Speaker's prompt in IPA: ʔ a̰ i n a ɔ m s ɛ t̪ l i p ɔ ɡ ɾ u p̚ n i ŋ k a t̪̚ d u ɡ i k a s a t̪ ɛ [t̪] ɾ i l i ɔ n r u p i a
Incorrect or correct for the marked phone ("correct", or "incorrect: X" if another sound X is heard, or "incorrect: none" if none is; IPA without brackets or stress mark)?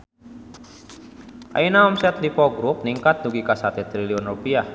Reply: correct